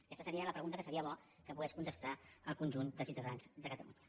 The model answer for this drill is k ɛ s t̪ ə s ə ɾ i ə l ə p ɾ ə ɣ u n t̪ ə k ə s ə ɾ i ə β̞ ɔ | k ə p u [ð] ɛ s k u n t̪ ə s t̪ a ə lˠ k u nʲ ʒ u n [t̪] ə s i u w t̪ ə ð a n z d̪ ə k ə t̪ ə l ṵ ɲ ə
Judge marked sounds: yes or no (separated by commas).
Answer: no, no